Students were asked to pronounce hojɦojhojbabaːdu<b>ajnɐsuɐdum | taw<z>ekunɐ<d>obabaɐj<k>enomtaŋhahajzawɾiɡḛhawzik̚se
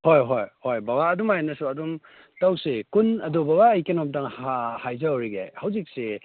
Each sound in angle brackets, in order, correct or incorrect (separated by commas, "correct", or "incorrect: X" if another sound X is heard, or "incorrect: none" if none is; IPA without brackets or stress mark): incorrect: m, incorrect: s, correct, correct